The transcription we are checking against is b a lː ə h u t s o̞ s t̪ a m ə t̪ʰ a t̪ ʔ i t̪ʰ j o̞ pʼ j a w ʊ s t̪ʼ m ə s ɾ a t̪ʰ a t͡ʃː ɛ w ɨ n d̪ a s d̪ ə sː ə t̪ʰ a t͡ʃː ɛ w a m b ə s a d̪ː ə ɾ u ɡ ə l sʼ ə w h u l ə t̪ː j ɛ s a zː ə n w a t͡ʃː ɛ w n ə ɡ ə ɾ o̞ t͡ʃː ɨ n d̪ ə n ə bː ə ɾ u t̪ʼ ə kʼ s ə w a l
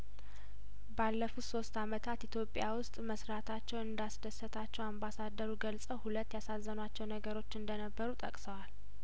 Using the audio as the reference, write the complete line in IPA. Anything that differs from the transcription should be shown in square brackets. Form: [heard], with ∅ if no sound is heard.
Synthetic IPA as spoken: b a lː ə [f] u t s o̞ s t̪ a m ə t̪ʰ a t̪ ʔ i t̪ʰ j o̞ pʼ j a w ʊ s t̪ʼ m ə s ɾ a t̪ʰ a t͡ʃː ɛ w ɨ n d̪ a s d̪ ə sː ə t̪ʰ a t͡ʃː ɛ w a m b [a] s a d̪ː ə ɾ u ɡ ə l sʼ ə w h u l ə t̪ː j [a] s a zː ə n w a t͡ʃː ɛ w n ə ɡ ə ɾ o̞ t͡ʃː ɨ n d̪ ə n ə bː ə ɾ u t̪ʼ ə kʼ s ə w a l